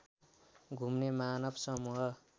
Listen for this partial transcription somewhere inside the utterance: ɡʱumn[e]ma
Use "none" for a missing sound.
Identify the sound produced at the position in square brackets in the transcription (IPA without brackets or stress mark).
e